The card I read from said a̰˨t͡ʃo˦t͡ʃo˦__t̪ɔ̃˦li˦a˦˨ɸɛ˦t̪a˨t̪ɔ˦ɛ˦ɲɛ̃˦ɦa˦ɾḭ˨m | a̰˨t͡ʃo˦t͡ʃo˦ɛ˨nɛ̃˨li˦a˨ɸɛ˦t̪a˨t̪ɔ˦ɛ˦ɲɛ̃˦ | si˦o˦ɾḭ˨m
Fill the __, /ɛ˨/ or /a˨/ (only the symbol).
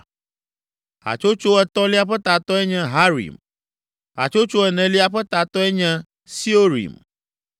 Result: ɛ˨